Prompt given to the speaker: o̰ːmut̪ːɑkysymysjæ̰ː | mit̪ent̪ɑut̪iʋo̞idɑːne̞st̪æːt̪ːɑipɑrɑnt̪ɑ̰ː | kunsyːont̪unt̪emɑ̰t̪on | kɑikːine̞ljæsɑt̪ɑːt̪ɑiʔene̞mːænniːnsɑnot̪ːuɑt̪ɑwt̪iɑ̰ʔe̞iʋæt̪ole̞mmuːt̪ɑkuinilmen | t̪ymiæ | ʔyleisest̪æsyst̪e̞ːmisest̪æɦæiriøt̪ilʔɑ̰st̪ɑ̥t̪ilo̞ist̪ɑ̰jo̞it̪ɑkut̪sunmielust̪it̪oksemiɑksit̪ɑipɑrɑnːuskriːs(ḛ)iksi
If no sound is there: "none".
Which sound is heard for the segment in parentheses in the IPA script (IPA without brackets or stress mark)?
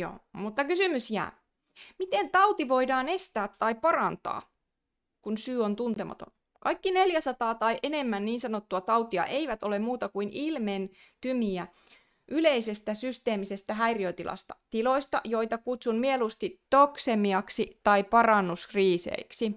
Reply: ḛ